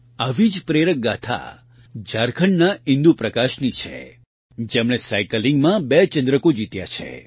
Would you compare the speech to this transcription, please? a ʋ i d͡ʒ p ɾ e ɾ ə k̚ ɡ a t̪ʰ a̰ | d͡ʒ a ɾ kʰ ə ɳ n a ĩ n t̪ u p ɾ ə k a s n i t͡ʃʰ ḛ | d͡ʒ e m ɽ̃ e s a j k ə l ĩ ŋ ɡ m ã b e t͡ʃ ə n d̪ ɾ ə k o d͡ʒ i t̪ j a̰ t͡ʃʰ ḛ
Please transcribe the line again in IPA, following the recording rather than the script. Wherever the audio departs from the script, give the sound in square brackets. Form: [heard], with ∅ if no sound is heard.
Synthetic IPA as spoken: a ʋ i d͡ʒ p ɾ e ɾ ə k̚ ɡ a t̪ʰ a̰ | d͡ʒ a ɾ kʰ ə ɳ n a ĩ n [d̪] u p ɾ ə k a [ʃ] n i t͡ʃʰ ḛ | d͡ʒ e m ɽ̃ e s a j k ə l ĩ ŋ ɡ m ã b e t͡ʃ ə n d̪ ɾ ə k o d͡ʒ i t̪ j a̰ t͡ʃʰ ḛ